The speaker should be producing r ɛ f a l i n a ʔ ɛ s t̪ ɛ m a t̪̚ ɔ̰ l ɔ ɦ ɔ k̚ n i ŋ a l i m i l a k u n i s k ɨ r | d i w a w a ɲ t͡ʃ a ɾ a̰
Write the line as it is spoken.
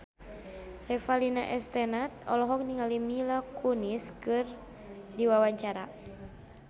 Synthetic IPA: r ɛ f a l i n a ʔ ɛ s t̪ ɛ n a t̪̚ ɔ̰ l ɔ ɦ ɔ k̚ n i ŋ a l i m i l a k u n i s k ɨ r | d i w a w a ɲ t͡ʃ a ɾ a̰